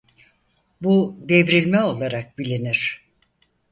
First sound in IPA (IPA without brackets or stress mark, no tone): b